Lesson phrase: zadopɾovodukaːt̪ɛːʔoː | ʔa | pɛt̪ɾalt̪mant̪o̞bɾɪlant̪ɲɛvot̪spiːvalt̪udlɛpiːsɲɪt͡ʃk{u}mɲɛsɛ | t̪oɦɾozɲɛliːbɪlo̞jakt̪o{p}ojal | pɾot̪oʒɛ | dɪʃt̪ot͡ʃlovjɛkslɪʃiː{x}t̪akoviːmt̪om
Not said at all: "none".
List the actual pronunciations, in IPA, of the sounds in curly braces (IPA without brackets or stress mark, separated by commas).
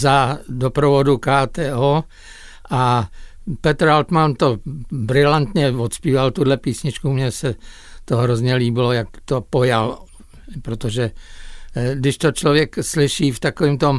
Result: u, p, f